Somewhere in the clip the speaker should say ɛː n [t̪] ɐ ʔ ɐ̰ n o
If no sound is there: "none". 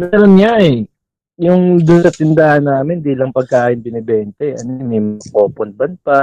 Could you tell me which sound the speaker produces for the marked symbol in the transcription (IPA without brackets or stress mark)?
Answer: t̪